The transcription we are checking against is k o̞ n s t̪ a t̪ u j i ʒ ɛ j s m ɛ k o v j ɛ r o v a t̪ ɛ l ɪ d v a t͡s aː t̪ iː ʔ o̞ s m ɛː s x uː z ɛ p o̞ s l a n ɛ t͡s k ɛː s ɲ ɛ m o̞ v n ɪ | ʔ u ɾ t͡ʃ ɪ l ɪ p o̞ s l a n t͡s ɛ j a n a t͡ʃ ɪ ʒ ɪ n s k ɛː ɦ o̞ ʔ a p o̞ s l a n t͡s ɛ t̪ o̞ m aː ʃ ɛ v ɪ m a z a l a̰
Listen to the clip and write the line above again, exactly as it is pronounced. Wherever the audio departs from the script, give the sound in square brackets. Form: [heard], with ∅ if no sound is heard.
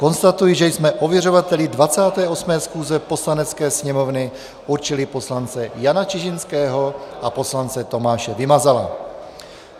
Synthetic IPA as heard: k o̞ n s t̪ a t̪ u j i ʒ ɛ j s m ɛ [ʔ] o v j ɛ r o v a t̪ ɛ l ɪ d v a t͡s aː t̪ [ɛː] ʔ o̞ s m ɛː s x uː z ɛ p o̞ s l a n ɛ t͡s k ɛː s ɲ ɛ m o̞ v n ɪ | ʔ u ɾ t͡ʃ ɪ l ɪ p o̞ s l a n t͡s ɛ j a n a t͡ʃ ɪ ʒ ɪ n s k ɛː ɦ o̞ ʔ a p o̞ s l a n t͡s ɛ t̪ o̞ m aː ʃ ɛ v ɪ m a z a l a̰